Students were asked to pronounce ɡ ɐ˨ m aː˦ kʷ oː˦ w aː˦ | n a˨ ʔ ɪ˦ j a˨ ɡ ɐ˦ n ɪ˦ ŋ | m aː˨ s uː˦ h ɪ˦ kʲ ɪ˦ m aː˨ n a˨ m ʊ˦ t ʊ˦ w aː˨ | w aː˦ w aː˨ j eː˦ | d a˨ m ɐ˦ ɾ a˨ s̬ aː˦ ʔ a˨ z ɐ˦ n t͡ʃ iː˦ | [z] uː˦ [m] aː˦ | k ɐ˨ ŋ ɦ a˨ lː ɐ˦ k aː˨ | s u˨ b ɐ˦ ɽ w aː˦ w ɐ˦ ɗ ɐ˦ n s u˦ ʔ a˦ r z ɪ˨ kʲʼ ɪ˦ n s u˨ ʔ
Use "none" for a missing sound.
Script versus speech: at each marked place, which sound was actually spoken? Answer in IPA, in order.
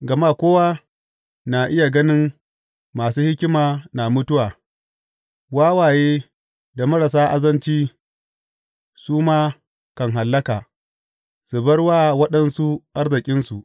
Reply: s, m

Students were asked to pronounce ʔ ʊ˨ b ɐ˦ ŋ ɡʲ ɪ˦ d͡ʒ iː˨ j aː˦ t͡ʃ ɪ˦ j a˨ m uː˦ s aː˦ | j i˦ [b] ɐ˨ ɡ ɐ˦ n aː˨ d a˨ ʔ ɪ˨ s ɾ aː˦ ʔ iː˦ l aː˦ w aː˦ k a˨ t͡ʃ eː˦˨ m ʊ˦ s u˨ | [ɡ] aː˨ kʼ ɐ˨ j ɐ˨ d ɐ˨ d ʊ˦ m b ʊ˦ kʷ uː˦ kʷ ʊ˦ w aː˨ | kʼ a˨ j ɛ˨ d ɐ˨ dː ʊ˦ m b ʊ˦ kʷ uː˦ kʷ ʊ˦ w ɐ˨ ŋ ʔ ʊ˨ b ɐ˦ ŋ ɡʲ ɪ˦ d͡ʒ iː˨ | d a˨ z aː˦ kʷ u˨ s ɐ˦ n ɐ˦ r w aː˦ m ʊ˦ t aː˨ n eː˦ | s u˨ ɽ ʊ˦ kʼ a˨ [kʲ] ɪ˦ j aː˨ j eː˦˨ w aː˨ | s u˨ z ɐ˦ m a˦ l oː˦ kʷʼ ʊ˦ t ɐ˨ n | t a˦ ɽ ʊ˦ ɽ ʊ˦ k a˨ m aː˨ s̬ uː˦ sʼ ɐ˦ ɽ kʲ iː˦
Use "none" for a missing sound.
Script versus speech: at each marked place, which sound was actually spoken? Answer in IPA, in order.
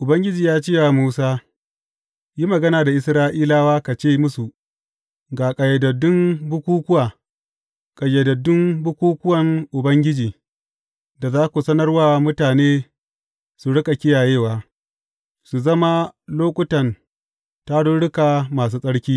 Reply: m, ɡ, kʲ

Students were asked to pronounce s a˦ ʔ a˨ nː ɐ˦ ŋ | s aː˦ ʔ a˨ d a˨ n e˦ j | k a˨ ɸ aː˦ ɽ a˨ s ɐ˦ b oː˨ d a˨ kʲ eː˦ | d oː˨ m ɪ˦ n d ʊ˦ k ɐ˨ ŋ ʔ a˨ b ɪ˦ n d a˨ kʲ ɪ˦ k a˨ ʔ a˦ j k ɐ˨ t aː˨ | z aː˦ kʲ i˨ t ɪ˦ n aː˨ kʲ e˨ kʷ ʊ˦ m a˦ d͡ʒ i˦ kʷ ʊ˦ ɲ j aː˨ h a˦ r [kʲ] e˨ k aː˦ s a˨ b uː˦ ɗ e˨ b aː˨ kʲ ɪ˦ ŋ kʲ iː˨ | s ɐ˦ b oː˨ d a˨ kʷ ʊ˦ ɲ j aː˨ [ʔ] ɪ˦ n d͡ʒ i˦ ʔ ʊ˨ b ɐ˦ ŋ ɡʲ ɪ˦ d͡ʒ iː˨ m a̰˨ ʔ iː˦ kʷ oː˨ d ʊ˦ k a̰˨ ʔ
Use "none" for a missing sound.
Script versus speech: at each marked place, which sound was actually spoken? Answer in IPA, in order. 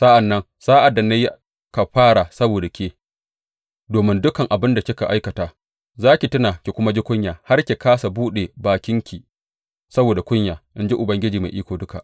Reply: kʲ, ʔ

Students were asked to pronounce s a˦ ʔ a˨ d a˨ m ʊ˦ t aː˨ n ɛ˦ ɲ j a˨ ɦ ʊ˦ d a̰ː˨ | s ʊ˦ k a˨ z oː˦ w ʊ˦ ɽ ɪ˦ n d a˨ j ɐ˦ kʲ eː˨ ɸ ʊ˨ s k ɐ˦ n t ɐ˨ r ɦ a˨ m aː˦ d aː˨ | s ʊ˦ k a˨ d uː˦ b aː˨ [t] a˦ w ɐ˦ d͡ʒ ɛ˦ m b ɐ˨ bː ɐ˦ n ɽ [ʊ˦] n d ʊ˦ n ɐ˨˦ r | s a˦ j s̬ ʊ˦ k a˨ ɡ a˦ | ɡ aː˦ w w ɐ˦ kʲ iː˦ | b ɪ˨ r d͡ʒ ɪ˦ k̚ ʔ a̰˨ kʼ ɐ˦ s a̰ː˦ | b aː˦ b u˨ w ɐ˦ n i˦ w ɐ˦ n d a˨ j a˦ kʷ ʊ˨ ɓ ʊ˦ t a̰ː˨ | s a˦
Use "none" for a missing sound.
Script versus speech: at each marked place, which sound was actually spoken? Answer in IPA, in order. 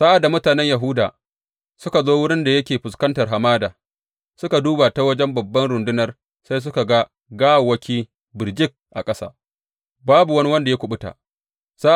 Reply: t, ʊ˨

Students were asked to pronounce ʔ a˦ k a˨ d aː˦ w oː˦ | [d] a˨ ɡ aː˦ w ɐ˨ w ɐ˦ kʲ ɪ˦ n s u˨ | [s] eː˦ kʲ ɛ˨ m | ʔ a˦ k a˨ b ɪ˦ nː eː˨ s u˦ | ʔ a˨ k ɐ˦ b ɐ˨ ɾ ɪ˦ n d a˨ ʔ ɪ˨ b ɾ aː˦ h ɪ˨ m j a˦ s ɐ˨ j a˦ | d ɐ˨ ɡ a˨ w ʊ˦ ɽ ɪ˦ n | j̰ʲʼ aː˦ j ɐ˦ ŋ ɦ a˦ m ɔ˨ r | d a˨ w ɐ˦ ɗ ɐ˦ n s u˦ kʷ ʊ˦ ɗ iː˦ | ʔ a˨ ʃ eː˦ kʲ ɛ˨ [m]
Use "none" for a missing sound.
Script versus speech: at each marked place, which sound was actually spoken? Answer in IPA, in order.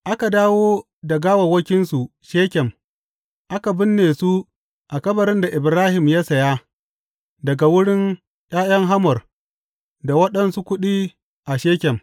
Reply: d, ʃ, m

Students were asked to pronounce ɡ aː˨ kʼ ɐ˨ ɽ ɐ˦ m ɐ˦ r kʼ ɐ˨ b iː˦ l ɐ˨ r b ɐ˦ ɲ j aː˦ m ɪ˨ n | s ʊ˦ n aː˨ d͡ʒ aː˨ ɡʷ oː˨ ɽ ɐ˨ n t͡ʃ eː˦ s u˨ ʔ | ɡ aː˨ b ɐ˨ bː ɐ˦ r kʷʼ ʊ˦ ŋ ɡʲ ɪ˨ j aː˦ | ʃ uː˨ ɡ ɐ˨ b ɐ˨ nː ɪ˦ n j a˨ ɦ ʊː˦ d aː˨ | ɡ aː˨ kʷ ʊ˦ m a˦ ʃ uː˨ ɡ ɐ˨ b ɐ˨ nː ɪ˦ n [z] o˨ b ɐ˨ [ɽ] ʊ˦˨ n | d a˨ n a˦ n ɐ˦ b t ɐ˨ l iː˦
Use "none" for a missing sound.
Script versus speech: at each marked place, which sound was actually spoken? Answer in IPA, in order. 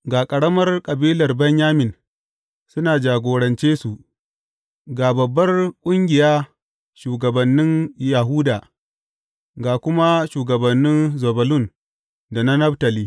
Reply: z, l

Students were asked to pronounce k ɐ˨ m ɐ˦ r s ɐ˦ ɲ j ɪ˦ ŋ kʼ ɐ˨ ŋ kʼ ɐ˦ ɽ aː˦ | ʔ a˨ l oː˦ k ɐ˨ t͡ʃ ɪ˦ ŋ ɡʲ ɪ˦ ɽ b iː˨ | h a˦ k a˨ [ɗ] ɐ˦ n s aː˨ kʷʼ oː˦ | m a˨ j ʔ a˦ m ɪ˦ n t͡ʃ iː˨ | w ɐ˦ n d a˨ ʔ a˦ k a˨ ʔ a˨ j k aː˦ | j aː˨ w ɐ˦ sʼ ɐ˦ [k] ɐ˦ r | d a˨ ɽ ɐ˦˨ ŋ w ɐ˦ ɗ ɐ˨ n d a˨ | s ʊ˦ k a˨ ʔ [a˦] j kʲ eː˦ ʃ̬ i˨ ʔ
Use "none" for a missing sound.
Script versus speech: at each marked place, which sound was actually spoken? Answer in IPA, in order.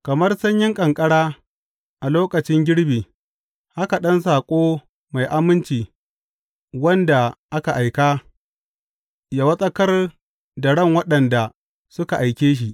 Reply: ɗ, k, a˨

